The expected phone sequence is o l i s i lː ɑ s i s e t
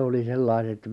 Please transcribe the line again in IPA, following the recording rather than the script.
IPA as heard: o l i s e lː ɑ i s e t

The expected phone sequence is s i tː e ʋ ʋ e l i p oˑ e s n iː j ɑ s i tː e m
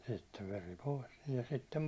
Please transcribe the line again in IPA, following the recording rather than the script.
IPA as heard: s i tː e ʋ ʋ e r i p oˑ i s n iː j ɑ s i tː e m

